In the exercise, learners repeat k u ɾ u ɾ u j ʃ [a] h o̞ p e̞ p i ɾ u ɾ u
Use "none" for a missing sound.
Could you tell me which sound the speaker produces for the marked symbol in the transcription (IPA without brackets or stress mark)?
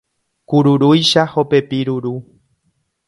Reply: a